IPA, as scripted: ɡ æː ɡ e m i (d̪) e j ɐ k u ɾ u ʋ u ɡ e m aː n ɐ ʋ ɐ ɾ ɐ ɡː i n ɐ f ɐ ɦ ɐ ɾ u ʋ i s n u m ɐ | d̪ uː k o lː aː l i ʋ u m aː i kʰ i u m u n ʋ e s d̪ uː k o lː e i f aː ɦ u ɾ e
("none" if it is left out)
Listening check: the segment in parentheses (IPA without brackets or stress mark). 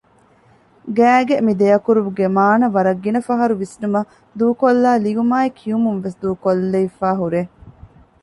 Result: d̪